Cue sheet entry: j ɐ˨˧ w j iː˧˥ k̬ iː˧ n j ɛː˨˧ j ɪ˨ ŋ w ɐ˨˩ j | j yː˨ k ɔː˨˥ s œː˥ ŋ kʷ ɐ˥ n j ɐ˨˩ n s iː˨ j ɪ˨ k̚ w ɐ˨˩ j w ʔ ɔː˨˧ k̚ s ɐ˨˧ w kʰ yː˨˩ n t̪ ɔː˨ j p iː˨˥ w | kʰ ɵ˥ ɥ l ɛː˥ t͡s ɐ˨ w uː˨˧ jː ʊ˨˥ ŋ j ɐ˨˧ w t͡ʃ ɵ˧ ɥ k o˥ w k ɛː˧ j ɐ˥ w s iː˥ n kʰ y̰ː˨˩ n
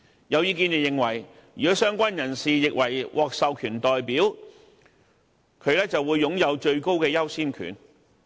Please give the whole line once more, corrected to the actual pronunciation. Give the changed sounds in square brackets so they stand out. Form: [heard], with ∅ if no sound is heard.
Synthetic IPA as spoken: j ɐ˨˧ w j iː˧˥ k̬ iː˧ n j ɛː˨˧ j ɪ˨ ŋ w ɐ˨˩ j | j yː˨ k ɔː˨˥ s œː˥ ŋ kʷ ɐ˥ n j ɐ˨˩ n s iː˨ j ɪ˨ k̚ w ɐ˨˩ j w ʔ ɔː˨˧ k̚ s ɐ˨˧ w kʰ yː˨˩ n t̪ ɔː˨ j p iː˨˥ w | kʰ [ɵ˨˧] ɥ l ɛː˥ t͡s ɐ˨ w uː˨˧ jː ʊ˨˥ ŋ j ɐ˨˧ w t͡ʃ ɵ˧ ɥ k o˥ w k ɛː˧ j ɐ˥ w s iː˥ n kʰ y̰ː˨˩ n